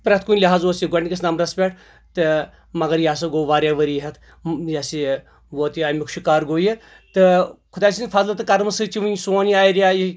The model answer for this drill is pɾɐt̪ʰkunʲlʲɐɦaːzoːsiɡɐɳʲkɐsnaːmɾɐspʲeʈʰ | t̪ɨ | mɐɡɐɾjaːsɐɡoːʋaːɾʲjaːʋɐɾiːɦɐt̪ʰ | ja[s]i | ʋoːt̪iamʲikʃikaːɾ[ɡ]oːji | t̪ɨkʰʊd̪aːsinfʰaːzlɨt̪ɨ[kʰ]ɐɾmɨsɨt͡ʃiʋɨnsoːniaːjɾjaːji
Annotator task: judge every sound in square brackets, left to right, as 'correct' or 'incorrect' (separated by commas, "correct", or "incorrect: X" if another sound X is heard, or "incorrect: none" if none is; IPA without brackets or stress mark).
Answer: correct, correct, incorrect: k